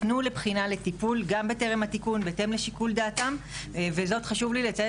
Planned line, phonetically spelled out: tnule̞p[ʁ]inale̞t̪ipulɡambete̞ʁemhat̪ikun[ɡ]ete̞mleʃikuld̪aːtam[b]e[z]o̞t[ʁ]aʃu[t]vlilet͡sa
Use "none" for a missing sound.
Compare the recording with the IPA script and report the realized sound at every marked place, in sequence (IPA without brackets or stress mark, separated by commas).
χ, b, v, z, χ, none